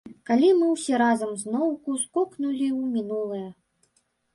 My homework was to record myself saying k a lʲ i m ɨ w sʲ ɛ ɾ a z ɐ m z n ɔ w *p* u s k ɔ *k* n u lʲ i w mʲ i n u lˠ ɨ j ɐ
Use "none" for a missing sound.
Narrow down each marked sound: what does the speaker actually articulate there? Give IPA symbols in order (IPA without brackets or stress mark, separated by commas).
k, k